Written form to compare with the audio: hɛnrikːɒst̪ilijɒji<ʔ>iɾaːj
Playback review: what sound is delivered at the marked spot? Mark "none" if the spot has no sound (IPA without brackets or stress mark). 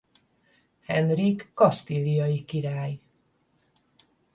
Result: k